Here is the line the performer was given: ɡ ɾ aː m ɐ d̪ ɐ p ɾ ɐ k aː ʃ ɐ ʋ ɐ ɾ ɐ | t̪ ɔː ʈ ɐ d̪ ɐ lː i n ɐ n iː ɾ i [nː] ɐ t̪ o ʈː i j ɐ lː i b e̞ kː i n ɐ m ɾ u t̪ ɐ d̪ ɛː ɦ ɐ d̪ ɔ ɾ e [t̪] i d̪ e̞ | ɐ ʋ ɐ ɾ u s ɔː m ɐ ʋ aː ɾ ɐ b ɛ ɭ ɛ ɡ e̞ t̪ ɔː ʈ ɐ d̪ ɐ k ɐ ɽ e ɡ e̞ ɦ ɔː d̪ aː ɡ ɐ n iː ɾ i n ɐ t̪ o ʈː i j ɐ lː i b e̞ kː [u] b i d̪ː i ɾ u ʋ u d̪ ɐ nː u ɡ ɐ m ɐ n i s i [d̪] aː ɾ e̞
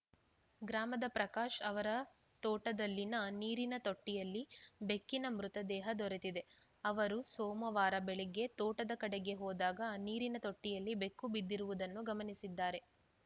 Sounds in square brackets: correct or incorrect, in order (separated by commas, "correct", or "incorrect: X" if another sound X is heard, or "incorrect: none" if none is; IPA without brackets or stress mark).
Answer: incorrect: n, correct, correct, incorrect: d̪ː